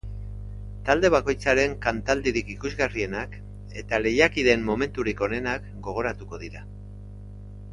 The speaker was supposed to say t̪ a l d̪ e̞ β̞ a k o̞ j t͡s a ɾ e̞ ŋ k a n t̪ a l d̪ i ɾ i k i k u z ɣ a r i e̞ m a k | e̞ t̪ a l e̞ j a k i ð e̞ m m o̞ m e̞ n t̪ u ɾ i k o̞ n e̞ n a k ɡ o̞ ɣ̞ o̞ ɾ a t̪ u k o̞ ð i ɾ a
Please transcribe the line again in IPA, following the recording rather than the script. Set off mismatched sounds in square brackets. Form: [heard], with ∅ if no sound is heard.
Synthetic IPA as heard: t̪ a l d̪ e̞ β̞ a k o̞ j t͡s a ɾ e̞ ŋ k a n t̪ a l d̪ i ɾ i k i k u z ɣ a r i e̞ [n] a k | e̞ t̪ a l e̞ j a k i ð e̞ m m o̞ m e̞ n t̪ u ɾ i k o̞ n e̞ n a k ɡ o̞ ɣ̞ o̞ ɾ a t̪ u k o̞ ð i ɾ a